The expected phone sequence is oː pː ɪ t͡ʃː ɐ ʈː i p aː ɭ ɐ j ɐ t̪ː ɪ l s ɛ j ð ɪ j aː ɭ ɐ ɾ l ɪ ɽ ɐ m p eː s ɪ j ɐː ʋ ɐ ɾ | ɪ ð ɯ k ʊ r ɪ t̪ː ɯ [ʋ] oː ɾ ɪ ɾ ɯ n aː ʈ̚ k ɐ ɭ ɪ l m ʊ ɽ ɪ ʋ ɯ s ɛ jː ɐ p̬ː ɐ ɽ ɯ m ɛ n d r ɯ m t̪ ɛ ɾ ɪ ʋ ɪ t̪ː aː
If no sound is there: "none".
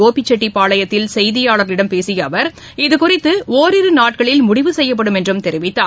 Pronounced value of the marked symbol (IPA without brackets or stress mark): none